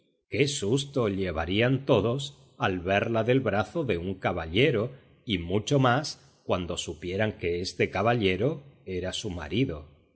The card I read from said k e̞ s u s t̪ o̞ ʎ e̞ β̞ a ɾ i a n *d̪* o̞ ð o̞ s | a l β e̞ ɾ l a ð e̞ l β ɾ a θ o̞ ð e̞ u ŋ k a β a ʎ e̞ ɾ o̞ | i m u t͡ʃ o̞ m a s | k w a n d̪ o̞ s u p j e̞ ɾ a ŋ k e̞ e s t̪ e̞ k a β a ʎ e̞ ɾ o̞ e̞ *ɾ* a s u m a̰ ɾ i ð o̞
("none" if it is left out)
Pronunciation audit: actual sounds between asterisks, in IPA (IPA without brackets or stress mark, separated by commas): t̪, ɾ